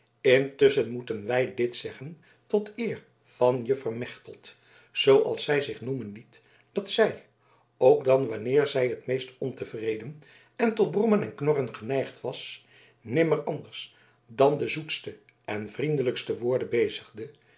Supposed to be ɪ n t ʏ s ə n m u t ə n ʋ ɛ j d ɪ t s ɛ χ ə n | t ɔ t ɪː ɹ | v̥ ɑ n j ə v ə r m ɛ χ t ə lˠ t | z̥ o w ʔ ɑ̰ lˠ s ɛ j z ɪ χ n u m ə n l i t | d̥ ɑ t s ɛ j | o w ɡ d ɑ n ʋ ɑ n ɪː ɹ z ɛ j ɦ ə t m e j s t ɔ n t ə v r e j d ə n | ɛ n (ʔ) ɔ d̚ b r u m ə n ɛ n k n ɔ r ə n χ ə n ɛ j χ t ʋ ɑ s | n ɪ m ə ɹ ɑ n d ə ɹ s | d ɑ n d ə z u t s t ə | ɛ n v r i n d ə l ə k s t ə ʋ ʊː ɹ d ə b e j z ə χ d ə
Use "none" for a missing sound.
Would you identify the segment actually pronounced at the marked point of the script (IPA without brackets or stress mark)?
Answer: t